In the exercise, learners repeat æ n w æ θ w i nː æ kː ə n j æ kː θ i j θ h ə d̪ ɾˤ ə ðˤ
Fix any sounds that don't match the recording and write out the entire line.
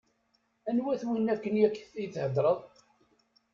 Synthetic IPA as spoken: æ n w æ θ w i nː æ kː ə n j æ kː θ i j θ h ə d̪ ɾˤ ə ðˤ